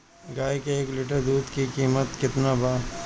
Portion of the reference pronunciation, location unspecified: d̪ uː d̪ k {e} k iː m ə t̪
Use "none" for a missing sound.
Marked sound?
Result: i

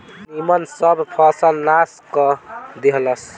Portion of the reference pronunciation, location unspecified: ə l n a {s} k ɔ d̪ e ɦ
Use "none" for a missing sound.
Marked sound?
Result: s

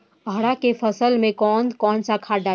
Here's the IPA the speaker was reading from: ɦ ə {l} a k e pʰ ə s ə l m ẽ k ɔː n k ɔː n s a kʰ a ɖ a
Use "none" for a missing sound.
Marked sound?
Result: ɽ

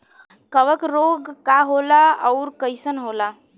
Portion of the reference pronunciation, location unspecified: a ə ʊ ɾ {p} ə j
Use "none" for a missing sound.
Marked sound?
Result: k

